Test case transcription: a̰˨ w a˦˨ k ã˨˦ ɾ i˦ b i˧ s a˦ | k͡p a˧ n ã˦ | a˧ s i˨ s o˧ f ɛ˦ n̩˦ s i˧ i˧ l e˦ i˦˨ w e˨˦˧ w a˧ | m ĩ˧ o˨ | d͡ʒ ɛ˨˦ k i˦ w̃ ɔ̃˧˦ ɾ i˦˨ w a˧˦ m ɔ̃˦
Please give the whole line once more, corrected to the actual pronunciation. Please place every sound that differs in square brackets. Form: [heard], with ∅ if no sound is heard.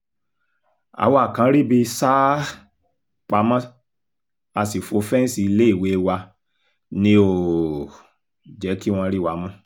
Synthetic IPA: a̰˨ w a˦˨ k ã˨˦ ɾ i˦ b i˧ s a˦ | k͡p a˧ [m] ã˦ | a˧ s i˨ [f] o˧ f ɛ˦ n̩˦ s i˧ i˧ l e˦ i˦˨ w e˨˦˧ w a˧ | [n] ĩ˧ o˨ | d͡ʒ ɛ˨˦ k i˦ w̃ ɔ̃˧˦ ɾ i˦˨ w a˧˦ m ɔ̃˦